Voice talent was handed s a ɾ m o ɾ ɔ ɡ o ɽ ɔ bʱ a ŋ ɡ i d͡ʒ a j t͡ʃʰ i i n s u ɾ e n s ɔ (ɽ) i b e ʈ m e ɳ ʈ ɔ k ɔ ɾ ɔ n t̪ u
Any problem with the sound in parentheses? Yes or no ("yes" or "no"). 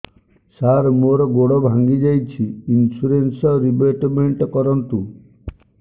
yes